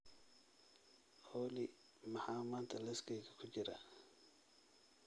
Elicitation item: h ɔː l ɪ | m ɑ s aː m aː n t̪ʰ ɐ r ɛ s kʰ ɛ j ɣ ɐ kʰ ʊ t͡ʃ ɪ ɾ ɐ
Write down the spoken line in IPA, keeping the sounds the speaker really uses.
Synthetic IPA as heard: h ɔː l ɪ | m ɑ ħ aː m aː n t̪ʰ ɐ l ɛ s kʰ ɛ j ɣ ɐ kʰ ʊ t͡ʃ ɪ ɾ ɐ